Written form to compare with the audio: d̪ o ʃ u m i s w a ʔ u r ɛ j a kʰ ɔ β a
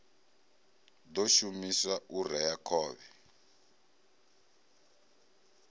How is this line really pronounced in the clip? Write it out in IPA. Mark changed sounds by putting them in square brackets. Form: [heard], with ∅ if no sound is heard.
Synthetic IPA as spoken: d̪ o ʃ u m i s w a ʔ u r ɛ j a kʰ [ɔː] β [ɛ]